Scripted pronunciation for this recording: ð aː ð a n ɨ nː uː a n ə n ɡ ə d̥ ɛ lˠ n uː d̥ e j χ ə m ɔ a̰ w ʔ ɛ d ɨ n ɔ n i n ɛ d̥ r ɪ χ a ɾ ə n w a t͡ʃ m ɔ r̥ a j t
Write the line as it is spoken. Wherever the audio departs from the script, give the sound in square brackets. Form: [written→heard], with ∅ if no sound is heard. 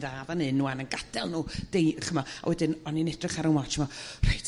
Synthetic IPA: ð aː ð a n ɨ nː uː a n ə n ɡ [ə→a] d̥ ɛ lˠ n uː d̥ e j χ ə m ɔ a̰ w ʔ ɛ d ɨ n ɔ n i n ɛ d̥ r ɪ χ a ɾ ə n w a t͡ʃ m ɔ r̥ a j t